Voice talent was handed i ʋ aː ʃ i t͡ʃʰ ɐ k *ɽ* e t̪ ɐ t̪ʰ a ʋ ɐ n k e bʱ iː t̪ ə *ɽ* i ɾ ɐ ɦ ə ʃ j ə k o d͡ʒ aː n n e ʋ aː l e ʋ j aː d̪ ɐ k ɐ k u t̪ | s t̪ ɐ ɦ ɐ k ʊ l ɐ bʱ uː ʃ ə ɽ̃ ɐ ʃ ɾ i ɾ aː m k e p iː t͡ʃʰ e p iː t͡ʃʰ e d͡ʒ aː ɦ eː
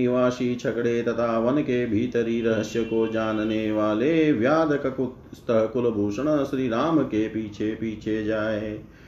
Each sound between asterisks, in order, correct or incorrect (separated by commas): correct, incorrect